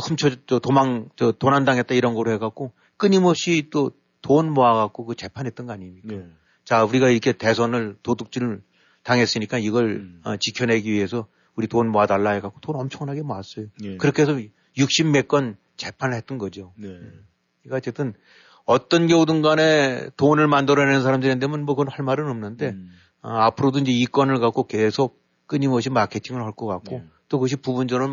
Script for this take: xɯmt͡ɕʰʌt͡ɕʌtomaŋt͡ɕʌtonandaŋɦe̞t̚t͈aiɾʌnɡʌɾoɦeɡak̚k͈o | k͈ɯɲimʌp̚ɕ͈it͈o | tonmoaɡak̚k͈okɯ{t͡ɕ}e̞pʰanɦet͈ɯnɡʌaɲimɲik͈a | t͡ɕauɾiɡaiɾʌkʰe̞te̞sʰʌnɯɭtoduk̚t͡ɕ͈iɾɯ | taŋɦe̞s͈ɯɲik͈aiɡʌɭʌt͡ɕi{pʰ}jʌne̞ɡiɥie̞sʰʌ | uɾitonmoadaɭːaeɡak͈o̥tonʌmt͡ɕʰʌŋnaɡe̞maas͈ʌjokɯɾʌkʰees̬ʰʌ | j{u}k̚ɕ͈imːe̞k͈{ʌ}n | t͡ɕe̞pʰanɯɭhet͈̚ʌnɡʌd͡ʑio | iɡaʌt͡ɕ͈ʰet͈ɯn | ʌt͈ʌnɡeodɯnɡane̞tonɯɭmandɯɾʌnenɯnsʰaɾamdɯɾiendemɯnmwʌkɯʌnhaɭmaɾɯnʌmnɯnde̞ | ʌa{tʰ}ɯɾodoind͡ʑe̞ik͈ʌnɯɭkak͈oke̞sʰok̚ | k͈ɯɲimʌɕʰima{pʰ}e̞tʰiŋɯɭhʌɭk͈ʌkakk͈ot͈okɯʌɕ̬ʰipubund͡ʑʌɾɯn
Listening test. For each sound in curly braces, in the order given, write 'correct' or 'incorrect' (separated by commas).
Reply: correct, incorrect, correct, correct, incorrect, incorrect